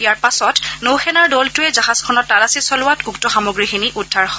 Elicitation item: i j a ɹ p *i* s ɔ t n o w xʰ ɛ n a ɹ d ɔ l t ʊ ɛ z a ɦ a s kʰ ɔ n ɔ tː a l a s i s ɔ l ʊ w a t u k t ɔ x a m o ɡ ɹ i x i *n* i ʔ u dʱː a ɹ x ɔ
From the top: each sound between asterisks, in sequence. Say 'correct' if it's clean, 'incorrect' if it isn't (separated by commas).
incorrect, correct